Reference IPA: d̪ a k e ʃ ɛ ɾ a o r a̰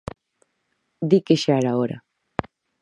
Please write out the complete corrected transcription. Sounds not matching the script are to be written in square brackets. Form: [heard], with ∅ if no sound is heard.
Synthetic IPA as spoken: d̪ [i] k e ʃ [a] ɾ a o [ɾ] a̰